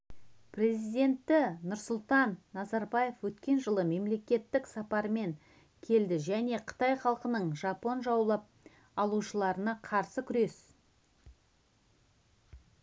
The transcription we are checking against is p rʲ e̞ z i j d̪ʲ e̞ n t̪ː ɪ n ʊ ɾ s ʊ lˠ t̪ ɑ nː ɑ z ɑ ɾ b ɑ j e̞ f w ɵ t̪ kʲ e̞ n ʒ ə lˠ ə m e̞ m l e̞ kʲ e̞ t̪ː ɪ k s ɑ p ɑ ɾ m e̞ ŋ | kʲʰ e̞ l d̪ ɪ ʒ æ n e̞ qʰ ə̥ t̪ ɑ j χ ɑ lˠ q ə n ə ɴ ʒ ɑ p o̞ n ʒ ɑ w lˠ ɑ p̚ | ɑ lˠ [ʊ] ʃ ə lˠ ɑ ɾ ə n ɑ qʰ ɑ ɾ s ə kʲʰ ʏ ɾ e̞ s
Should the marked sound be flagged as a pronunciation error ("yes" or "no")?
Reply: yes